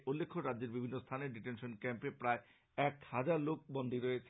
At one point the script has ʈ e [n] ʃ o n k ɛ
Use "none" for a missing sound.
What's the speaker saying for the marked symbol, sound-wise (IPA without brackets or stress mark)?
n